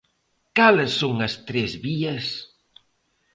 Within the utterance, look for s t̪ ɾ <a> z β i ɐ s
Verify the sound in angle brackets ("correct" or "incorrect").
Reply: incorrect